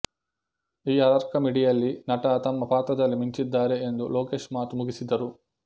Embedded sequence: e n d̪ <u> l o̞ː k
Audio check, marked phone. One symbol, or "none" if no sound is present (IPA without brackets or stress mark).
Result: u